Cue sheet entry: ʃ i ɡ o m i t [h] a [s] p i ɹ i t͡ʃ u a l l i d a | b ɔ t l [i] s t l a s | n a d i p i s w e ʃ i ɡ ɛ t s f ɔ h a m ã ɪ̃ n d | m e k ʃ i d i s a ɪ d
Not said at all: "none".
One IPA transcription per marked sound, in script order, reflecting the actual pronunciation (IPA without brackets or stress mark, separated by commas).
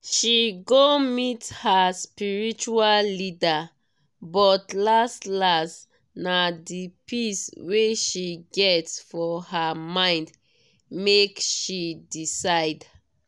h, s, a